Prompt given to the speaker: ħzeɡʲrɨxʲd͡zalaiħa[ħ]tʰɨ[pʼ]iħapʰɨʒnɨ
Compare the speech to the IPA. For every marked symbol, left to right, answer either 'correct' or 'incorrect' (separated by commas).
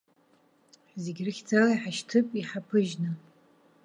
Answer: incorrect, correct